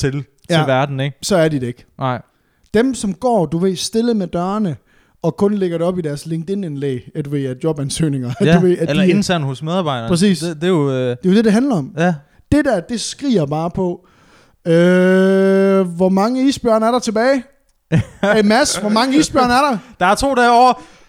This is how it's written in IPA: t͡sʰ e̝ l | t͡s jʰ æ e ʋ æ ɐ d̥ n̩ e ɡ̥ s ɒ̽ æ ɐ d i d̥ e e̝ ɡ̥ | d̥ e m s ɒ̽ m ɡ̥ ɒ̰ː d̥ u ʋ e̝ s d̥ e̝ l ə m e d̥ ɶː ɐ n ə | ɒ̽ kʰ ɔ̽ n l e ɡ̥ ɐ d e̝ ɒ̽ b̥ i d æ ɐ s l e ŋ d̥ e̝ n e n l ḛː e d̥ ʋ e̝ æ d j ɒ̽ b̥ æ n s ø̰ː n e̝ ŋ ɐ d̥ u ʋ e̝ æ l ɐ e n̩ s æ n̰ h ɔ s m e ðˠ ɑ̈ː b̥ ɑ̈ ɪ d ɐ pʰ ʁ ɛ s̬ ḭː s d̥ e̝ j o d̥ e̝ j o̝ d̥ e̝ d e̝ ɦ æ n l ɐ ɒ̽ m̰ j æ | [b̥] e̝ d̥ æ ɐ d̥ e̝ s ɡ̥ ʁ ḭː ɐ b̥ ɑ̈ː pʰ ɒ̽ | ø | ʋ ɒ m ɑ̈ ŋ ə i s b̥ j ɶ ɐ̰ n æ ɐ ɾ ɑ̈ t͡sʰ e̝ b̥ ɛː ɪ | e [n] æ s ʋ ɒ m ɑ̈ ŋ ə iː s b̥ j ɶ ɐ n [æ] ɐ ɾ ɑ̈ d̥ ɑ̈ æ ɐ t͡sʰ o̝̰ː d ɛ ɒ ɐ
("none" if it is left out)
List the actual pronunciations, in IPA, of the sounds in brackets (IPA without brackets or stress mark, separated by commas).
d̥, m, æ